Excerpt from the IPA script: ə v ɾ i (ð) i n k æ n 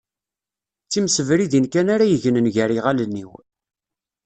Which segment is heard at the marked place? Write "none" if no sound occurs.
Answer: ð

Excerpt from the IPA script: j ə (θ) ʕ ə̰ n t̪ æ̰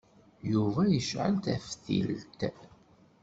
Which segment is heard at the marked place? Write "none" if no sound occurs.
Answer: ʃ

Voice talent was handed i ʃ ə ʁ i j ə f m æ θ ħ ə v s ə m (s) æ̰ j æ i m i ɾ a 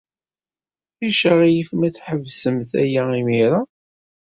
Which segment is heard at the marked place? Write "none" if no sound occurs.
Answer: θ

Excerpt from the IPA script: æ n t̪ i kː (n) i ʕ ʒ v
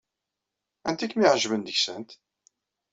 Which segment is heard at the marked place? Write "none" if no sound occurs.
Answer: m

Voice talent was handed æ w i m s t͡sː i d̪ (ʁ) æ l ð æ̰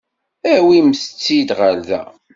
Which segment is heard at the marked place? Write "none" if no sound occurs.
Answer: ʁ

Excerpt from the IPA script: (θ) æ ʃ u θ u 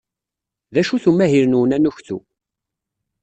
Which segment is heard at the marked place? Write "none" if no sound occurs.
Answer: ð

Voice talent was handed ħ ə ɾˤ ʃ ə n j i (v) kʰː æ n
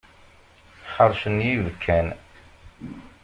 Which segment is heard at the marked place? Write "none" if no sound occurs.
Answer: v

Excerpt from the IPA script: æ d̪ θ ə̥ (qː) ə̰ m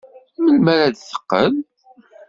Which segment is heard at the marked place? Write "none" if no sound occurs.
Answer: qː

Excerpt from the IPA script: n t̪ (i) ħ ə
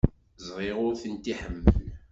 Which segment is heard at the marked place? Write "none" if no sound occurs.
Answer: i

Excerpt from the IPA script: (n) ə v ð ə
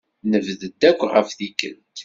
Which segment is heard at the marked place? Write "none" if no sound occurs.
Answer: n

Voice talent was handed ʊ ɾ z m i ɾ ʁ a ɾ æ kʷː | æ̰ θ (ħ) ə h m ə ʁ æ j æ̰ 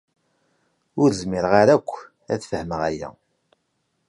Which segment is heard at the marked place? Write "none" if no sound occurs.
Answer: f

